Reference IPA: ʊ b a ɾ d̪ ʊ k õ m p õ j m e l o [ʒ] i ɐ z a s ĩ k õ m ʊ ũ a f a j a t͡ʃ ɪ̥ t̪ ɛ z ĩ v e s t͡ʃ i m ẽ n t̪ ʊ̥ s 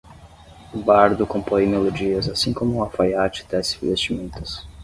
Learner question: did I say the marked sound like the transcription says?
no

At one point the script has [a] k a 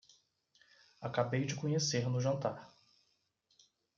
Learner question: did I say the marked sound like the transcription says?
yes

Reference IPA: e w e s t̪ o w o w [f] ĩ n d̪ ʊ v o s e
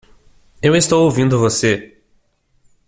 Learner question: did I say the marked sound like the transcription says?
no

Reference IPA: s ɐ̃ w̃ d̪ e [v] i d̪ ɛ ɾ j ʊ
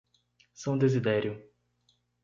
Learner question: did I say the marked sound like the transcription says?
no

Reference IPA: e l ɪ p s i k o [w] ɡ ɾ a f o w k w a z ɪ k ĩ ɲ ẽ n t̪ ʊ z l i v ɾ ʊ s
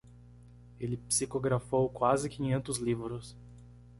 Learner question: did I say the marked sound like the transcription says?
no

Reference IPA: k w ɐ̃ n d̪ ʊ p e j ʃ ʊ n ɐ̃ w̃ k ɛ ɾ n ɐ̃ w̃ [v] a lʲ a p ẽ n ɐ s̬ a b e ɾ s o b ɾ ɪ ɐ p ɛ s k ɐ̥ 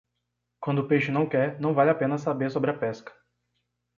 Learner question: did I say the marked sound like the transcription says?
yes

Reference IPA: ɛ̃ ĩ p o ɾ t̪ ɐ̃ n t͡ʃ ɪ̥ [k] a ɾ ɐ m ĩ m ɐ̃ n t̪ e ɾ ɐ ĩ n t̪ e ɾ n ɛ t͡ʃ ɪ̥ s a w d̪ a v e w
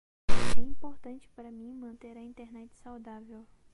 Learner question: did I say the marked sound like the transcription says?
no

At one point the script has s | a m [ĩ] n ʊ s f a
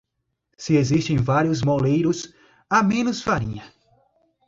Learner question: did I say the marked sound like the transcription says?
no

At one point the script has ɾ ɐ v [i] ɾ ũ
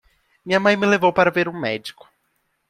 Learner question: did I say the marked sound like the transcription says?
no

